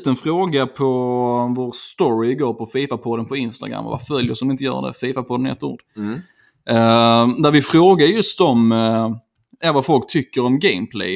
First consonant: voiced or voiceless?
voiceless